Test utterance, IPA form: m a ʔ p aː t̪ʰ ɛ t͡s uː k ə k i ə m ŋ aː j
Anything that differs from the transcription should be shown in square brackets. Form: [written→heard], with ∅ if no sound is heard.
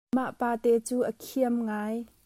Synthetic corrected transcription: m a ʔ p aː [t̪ʰ→t̪] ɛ t͡s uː [k→ʔ] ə [k→kʰ] i ə m ŋ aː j